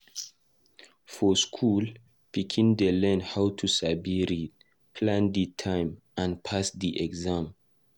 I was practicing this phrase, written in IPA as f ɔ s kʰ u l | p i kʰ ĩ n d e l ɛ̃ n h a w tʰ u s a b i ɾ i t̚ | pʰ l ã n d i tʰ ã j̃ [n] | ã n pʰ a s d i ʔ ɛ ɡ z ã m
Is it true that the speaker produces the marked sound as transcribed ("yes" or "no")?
no